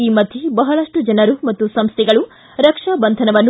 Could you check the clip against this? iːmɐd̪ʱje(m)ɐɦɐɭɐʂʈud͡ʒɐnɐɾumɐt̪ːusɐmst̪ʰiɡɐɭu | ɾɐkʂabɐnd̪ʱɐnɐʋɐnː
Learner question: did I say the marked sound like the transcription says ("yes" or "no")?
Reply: no